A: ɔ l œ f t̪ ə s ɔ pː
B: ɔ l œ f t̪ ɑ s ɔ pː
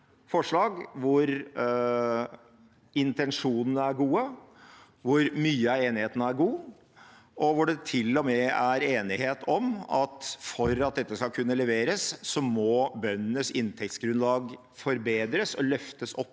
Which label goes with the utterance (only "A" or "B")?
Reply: A